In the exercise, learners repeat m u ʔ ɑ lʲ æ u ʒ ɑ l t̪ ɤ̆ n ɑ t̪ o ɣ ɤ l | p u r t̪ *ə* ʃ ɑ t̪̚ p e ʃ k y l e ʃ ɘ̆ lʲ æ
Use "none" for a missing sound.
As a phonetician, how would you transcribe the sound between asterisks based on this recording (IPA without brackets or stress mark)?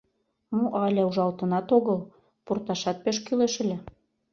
ɑ